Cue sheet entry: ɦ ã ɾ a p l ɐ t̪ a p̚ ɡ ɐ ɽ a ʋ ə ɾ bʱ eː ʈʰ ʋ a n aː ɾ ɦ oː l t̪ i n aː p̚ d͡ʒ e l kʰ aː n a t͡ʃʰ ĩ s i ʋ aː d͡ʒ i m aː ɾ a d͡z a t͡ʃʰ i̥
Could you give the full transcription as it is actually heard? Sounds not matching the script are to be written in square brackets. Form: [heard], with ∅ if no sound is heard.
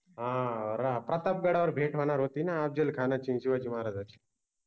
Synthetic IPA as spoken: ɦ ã ɾ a p [ɾ] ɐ t̪ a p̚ ɡ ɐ ɽ a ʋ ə ɾ bʱ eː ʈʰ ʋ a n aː ɾ ɦ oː [∅] t̪ i n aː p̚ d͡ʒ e l kʰ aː n a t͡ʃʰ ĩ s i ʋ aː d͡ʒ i m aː ɾ a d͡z a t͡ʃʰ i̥